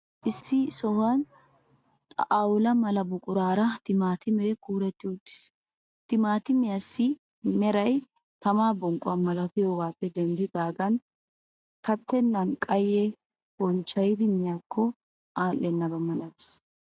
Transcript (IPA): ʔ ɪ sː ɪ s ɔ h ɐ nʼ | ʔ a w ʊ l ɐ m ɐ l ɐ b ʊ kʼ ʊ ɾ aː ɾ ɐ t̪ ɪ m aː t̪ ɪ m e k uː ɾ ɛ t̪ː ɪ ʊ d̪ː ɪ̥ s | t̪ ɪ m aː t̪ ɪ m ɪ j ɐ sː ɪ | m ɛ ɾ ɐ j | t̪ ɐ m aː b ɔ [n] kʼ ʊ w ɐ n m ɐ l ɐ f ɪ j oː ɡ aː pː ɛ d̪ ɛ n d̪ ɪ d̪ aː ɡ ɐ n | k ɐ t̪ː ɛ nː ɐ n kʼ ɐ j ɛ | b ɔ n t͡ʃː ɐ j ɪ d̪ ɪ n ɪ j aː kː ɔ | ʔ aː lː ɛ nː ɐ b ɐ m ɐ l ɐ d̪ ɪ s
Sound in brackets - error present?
yes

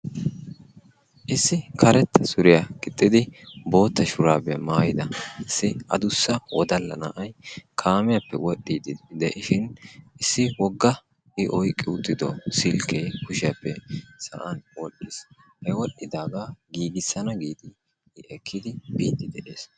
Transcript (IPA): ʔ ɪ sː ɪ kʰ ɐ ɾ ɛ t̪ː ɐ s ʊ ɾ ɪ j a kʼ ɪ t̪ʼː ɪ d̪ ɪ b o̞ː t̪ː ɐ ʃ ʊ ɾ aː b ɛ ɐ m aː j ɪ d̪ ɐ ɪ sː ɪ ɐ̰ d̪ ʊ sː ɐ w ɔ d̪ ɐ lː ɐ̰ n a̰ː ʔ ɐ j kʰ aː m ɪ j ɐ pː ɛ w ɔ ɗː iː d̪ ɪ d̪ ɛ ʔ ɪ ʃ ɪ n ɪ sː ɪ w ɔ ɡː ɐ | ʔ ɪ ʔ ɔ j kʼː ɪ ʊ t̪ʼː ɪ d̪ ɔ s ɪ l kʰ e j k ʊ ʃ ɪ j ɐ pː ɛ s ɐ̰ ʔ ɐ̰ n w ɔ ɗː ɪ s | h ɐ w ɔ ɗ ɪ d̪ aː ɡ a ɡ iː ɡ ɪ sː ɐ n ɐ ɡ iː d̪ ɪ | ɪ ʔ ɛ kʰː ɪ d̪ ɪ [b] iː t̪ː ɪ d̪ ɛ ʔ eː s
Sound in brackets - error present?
no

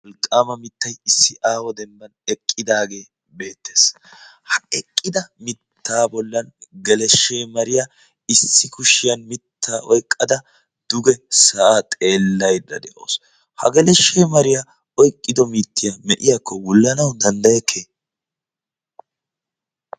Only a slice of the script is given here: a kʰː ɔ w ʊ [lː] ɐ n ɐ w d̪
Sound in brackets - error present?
no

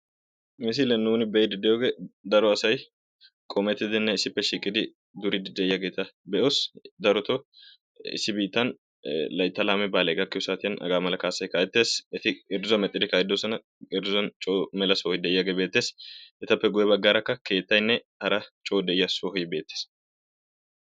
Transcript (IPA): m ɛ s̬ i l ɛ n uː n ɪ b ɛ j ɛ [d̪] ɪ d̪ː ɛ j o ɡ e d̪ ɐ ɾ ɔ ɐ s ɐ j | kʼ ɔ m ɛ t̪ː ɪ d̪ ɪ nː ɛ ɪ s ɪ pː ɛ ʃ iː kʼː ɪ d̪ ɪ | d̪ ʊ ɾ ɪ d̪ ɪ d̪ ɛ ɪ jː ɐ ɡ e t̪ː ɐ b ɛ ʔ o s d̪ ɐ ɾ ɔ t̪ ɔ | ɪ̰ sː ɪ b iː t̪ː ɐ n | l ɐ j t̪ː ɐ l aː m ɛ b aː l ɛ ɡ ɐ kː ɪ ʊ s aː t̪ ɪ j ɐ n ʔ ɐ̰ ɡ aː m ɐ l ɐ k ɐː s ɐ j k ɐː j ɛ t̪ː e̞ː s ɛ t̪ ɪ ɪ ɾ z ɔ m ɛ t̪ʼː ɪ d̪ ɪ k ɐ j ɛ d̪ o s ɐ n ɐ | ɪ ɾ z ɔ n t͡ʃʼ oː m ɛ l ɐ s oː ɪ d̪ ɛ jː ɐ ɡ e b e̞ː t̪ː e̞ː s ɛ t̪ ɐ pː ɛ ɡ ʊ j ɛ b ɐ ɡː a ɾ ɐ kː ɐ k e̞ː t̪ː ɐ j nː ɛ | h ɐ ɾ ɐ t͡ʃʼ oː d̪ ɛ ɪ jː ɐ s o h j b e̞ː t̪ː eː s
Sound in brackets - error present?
no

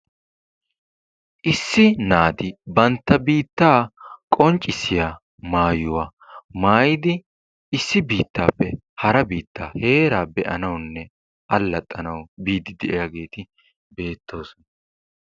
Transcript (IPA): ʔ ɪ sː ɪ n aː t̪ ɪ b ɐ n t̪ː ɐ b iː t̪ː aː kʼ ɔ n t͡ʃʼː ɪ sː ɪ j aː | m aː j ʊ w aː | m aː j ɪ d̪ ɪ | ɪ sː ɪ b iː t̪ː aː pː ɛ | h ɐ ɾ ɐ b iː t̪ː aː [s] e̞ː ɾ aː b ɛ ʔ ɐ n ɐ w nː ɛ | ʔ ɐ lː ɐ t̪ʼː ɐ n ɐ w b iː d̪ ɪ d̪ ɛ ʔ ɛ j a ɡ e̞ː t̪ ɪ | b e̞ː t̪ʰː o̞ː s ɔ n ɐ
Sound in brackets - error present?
yes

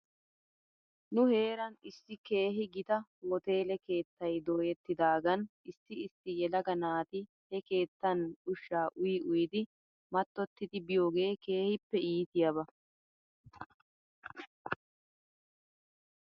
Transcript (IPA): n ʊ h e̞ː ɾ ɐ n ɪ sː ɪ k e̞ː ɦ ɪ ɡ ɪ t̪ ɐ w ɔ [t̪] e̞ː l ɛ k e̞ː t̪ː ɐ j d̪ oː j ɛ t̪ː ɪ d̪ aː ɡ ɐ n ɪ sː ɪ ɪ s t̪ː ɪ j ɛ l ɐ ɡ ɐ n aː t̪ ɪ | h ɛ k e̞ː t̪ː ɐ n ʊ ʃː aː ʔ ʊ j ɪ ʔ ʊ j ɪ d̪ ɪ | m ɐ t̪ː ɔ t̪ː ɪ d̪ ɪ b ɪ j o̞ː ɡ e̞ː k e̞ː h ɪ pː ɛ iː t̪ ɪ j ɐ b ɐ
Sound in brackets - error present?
no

